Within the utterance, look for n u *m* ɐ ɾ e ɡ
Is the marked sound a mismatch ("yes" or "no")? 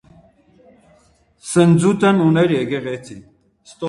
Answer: yes